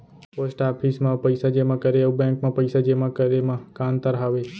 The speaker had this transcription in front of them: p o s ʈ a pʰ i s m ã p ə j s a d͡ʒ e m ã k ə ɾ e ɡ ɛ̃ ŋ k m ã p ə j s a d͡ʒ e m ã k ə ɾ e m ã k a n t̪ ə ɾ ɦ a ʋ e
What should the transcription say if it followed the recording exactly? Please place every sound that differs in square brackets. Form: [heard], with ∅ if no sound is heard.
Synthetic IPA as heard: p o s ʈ a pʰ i s m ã p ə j s a d͡ʒ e m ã k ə ɾ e [b] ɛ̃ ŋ k m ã p ə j s a d͡ʒ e m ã k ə ɾ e m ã k a n t̪ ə ɾ ɦ a ʋ e